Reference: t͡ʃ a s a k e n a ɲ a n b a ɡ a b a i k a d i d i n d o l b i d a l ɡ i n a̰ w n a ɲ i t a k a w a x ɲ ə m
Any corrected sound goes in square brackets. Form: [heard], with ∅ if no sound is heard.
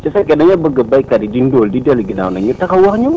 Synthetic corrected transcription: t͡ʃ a s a k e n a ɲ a [∅] b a ɡ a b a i k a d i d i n d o l [d] i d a l ɡ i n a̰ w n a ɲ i t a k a w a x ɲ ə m